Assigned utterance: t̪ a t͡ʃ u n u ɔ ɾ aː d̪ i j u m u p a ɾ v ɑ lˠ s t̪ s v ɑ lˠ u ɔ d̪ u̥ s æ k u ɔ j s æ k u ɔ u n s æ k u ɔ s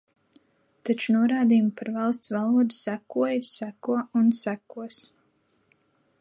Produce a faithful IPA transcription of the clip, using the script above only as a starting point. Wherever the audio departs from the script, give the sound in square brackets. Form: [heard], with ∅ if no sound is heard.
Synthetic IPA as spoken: t̪ a t͡ʃ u n u ɔ ɾ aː d̪ i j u m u p a ɾ v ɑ lˠ s t̪ s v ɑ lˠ u ɔ d̪ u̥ s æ k u ɔ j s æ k u ɔ u n s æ k u ɔ s